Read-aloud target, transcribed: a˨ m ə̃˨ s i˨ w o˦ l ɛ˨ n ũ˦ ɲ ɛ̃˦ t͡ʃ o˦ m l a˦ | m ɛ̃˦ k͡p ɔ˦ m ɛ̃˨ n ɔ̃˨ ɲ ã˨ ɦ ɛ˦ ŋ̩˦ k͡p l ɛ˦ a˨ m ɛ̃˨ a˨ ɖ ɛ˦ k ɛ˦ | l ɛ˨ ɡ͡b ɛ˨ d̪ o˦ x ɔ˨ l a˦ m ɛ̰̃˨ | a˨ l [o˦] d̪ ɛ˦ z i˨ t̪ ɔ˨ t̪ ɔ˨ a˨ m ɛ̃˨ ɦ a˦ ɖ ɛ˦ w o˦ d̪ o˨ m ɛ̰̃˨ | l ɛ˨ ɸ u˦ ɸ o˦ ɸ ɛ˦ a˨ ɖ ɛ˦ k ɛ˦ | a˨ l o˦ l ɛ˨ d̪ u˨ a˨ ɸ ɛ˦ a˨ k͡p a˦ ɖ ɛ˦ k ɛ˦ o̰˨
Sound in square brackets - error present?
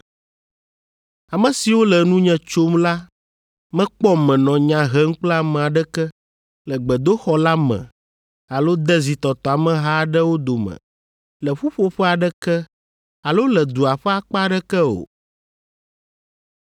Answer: no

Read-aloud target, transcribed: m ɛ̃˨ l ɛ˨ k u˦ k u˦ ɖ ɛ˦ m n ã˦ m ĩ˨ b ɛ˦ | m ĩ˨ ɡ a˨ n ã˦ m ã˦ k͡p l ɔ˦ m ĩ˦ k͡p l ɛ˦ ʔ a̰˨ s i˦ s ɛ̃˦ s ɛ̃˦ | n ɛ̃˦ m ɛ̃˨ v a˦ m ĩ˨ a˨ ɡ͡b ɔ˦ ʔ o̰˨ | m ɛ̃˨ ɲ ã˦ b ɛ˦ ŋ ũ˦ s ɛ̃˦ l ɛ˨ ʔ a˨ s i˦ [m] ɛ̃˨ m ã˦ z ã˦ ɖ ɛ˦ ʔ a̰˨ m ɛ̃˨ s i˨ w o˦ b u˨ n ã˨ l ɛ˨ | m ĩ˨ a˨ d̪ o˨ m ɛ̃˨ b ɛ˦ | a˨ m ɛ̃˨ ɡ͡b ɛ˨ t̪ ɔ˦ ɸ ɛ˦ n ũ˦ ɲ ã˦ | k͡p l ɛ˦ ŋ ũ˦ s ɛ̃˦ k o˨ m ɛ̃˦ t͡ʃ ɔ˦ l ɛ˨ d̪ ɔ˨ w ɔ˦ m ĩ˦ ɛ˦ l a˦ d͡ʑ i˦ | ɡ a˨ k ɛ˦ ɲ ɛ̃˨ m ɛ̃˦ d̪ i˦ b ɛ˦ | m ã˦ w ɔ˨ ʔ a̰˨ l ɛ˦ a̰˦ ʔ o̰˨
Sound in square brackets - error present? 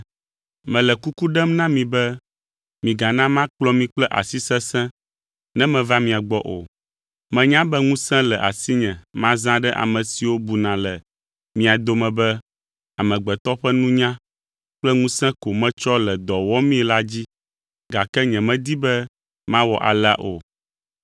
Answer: yes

